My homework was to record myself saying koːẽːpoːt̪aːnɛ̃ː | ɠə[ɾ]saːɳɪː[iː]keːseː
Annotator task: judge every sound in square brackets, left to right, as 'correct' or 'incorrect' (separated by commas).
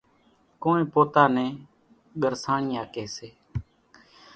correct, incorrect